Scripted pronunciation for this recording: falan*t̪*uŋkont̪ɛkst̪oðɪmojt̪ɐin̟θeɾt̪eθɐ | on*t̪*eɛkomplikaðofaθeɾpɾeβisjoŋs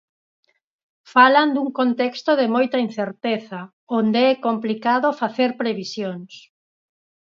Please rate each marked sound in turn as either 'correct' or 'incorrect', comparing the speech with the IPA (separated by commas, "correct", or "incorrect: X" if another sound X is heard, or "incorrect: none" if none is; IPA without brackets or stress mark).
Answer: incorrect: d̪, incorrect: d̪